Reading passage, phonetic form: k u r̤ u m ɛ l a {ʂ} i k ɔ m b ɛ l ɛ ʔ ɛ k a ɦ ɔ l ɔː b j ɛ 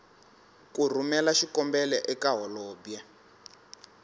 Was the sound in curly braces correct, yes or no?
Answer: no